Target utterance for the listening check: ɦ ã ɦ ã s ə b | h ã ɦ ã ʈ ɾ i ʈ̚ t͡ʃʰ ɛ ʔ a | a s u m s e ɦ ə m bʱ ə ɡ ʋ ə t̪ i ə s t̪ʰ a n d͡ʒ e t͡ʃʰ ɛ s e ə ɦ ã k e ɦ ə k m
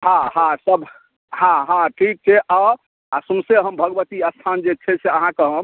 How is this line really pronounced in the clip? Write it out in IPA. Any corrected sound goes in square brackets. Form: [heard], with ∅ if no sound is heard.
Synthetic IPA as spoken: ɦ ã ɦ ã s ə b | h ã ɦ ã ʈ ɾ i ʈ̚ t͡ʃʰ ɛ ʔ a | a s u m s e ɦ ə m bʱ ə ɡ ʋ ə t̪ i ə s t̪ʰ a n d͡ʒ e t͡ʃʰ ɛ s e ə ɦ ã k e ɦ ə [∅] m